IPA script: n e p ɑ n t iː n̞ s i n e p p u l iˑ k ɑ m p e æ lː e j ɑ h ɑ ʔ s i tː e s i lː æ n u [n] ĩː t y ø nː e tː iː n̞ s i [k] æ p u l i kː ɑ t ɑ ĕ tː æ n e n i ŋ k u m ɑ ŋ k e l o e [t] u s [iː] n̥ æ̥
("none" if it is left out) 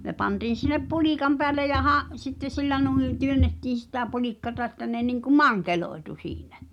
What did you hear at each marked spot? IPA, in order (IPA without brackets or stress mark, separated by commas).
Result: none, t, t, iː